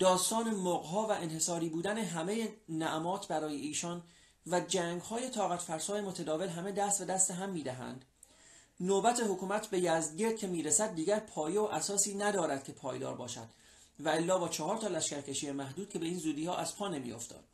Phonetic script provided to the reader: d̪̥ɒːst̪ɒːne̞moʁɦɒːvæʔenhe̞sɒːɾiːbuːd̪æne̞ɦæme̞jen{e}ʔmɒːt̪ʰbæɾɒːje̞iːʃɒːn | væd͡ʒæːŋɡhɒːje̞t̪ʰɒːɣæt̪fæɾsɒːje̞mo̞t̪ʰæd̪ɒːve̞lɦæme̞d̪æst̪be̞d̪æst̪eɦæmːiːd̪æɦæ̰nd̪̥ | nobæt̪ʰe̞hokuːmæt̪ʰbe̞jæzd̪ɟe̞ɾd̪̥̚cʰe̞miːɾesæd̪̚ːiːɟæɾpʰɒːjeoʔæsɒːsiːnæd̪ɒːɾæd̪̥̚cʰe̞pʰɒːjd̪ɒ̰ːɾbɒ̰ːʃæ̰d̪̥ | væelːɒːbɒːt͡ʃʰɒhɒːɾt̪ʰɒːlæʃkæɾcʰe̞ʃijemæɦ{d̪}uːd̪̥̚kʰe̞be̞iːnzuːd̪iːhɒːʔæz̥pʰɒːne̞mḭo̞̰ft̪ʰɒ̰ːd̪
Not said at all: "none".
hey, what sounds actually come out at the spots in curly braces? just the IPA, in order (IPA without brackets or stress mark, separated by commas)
æ, d̪